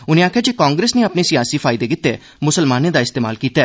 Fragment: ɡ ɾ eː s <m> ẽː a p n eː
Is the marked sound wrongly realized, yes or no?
yes